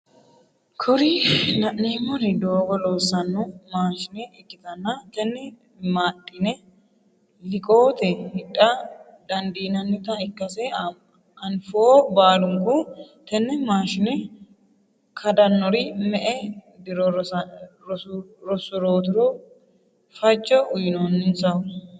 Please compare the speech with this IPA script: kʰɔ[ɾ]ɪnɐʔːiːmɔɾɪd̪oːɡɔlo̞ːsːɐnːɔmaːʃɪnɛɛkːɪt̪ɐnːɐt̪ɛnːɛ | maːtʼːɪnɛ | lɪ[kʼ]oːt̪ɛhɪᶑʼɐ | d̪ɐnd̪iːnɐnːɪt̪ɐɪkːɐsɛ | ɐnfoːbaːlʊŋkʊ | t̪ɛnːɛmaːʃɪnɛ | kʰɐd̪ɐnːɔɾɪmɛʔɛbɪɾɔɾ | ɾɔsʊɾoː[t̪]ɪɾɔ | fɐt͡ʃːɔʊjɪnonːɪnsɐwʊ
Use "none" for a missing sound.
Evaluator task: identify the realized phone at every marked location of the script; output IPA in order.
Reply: ɾ, kʼ, t̪

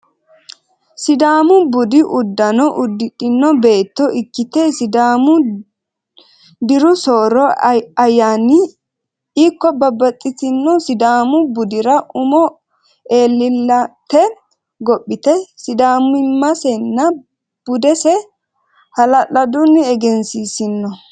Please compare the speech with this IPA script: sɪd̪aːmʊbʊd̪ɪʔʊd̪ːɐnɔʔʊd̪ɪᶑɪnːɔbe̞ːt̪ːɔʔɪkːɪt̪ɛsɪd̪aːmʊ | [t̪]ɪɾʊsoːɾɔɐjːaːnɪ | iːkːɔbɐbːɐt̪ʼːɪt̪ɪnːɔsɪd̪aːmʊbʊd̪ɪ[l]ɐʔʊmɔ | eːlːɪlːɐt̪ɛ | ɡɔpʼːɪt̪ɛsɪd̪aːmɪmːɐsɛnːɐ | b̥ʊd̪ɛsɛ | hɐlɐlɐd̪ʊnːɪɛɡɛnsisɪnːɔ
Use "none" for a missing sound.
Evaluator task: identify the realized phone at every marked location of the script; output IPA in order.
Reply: d̪, ɾ

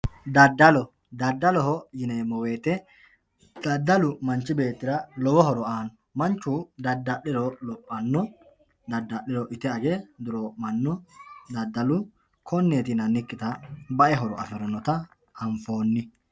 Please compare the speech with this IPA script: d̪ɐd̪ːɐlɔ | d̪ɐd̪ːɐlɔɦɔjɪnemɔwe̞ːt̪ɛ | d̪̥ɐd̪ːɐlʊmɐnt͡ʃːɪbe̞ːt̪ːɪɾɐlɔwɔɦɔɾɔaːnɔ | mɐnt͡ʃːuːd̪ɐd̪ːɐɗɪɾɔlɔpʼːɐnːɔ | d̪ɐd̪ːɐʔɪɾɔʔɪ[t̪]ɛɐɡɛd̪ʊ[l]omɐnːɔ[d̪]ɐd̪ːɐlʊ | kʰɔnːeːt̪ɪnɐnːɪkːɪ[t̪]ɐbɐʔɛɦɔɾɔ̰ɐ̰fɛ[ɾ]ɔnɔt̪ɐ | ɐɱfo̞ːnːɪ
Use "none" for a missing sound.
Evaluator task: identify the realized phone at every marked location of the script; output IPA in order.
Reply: t̪, ɾ, d̪, t̪, ɾ

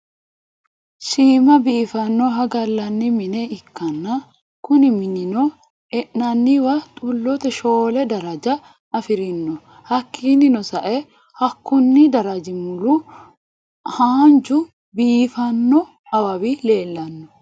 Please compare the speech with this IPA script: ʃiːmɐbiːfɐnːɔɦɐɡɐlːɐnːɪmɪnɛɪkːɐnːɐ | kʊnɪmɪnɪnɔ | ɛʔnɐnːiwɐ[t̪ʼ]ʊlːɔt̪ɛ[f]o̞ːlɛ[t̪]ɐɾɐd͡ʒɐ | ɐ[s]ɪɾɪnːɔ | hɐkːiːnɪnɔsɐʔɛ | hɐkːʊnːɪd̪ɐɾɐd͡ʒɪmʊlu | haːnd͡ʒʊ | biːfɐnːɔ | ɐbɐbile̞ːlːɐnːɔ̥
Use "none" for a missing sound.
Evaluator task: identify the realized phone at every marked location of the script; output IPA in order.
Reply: t̪ʼ, ʃ, d̪, f

